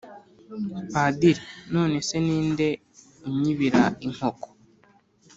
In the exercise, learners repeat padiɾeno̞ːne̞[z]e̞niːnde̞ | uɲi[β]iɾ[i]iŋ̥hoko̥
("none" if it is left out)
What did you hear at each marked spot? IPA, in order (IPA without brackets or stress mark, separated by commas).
s, β, a